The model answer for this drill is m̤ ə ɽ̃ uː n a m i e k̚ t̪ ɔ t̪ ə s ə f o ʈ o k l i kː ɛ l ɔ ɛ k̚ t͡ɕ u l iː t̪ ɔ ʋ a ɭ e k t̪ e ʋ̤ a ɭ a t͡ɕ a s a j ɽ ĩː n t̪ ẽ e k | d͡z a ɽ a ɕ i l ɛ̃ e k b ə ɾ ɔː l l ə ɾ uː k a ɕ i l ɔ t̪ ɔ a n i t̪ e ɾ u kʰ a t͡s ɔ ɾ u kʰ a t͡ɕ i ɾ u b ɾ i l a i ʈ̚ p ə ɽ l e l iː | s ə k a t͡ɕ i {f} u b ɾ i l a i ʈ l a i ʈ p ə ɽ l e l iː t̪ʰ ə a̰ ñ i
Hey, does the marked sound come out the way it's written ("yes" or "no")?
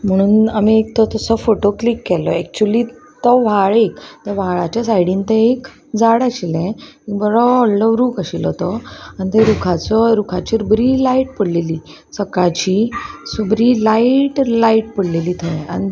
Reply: no